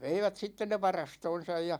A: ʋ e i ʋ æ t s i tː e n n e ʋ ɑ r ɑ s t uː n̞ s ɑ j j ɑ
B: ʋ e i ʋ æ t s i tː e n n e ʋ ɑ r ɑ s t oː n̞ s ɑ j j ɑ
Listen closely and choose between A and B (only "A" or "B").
B